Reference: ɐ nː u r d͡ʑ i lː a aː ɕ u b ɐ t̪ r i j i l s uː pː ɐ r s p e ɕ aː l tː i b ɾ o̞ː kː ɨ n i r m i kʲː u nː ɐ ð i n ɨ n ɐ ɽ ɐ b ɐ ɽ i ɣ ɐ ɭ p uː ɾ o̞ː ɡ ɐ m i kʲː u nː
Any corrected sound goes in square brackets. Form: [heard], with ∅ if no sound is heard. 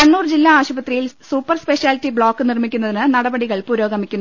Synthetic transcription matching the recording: ɐ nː [uː] r d͡ʑ i lː a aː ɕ u b ɐ t̪ r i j i l s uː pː ɐ r s p e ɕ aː l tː i b [ɭ] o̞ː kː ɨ n i r m i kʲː u nː ɐ ð i n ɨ n ɐ ɽ ɐ b ɐ ɽ i ɣ ɐ ɭ p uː ɾ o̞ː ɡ ɐ m i kʲː u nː